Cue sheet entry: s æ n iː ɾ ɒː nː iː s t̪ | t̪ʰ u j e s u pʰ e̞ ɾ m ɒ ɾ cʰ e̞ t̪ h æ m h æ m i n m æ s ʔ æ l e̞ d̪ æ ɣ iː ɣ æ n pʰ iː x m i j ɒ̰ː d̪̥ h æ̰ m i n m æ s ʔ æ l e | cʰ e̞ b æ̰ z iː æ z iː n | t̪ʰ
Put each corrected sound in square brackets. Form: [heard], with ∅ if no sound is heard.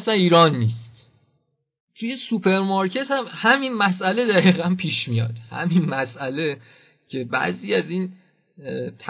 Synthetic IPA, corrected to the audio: s æ n iː ɾ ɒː nː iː s t̪ | t̪ʰ u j e s u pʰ e̞ ɾ m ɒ ɾ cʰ e̞ t̪ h æ m h æ m i n m æ s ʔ æ l e̞ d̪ æ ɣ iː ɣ æ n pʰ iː [ʃ] m i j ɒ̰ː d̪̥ h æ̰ m i n m æ s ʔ æ l e | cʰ e̞ b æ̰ z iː æ z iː n | t̪ʰ